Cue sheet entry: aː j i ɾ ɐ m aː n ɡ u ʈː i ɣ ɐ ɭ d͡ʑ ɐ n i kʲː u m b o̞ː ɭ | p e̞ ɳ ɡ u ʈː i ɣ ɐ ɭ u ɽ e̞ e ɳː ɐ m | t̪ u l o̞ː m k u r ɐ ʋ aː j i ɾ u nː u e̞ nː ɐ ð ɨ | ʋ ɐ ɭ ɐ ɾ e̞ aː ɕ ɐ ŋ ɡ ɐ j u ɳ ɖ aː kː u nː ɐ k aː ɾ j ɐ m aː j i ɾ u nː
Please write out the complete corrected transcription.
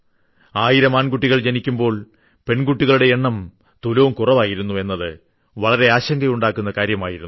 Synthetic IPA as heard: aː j i ɾ ɐ m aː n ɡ u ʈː i ɣ ɐ ɭ d͡ʑ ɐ n i kʲː u m b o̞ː ɭ | p e̞ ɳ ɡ u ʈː i ɣ ɐ ɭ u ɽ e̞ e ɳː ɐ m | t̪ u l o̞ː m k u r ɐ ʋ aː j i ɾ u nː u e̞ nː ɐ ð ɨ | ʋ ɐ ɭ ɐ ɾ e̞ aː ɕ ɐ ŋ ɡ ɐ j u ɳ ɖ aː kː u nː ɐ k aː ɾ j ɐ m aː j i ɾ u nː

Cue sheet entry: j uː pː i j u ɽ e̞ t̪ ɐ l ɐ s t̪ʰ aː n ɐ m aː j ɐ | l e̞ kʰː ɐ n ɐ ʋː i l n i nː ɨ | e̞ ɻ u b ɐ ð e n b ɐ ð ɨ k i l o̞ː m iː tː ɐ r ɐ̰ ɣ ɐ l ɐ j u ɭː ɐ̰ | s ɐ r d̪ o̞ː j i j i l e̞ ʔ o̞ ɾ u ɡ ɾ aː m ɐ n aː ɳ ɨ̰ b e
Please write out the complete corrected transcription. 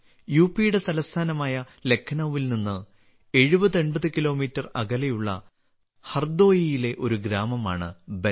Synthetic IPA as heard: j uː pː i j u ɽ e̞ t̪ ɐ l ɐ s t̪ʰ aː n ɐ m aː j ɐ | l e̞ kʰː ɐ n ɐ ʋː i l n i nː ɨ | e̞ ɻ u b ɐ ð e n b ɐ ð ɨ k i l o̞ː m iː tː ɐ r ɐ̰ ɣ ɐ l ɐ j u ɭː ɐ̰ | h ɐ r d̪ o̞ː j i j i l e̞ ʔ o̞ ɾ u ɡ ɾ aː m ɐ m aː ɳ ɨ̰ b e

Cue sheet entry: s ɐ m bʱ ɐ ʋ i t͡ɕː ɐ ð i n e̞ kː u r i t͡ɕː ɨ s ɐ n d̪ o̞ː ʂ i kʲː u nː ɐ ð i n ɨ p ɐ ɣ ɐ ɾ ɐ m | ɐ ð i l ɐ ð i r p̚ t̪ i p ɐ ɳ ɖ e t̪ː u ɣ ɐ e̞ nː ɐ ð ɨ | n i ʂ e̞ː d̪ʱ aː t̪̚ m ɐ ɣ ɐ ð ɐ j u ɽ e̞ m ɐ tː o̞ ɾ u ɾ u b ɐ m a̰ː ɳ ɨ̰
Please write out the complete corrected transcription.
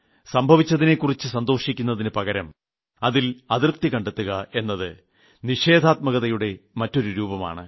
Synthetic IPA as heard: s ɐ m bʱ ɐ ʋ i t͡ɕː ɐ ð i n e̞ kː u r i t͡ɕː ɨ s ɐ n d̪ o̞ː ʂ i kʲː u nː ɐ ð i n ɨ p ɐ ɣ ɐ ɾ ɐ m | ɐ ð i l ɐ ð i r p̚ t̪ i k ɐ ɳ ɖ e t̪ː u ɣ ɐ e̞ nː ɐ ð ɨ | n i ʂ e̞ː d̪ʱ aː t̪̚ m ɐ ɣ ɐ ð ɐ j u ɽ e̞ m ɐ tː o̞ ɾ u ɾ uː b ɐ m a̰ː ɳ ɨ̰

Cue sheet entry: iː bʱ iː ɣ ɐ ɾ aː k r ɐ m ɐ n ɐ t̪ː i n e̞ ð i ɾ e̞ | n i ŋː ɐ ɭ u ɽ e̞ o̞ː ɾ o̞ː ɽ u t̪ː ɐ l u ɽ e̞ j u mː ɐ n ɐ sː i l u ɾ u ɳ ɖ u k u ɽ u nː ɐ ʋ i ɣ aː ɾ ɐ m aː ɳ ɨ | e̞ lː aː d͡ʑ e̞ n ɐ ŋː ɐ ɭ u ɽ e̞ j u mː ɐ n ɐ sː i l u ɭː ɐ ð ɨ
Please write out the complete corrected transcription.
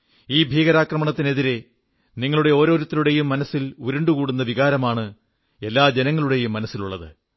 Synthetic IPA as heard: iː bʱ iː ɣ ɐ ɾ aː k r ɐ m ɐ ɳ ɐ t̪ː i n e̞ ð i ɾ e̞ | n i ŋː ɐ ɭ u ɽ e̞ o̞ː ɾ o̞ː ɾ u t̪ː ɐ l u ɽ e̞ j u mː ɐ n ɐ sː i l u ɾ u ɳ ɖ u k uː ɽ u nː ɐ ʋ i ɣ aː ɾ ɐ m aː ɳ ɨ | e̞ lː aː d͡ʑ e̞ n ɐ ŋː ɐ ɭ u ɽ e̞ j u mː ɐ n ɐ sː i l u ɭː ɐ ð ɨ

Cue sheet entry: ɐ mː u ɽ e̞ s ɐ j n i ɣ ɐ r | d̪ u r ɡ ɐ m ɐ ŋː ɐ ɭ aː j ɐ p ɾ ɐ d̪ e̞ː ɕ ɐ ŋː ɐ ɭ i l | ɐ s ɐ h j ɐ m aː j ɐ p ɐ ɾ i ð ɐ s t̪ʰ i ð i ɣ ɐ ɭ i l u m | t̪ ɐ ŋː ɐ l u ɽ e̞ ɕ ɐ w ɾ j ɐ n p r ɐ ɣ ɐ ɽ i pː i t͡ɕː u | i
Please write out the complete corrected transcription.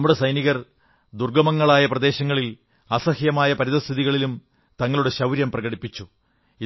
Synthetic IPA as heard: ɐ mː u ɽ e̞ s ɐ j n i ɣ ɐ r | d̪ u r ɡ ɐ m ɐ ŋː ɐ ɭ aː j ɐ p r ɐ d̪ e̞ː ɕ ɐ ŋː ɐ ɭ i l | ɐ s ɐ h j ɐ m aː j ɐ p ɐ ɾ i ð ɐ s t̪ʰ i ð i ɣ ɐ ɭ i l u m | t̪ ɐ ŋː ɐ ɭ u ɽ e̞ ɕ ɐ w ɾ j ɐ m p r ɐ ɣ ɐ ɽ i pː i t͡ɕː u | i

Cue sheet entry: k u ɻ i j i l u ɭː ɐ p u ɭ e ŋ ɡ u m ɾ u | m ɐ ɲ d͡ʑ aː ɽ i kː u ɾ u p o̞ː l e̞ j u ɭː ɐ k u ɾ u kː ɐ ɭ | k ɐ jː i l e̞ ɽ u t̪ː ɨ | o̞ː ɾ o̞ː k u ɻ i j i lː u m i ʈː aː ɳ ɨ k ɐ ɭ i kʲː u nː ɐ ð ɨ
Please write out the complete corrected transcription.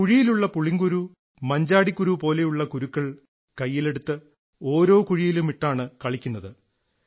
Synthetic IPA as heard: k u ɻ i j i l u ɭː ɐ p u ɭ i ŋ ɡ u ɾ u | m ɐ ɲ d͡ʑ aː ɽ i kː u ɾ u p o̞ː l e̞ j u ɭː ɐ k u ɾ u kː ɐ ɭ | k ɐ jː i l e̞ ɽ u t̪ː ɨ | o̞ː ɾ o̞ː k u ɻ i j i l u m i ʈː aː ɳ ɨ k ɐ ɭ i kʲː u nː ɐ ð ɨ

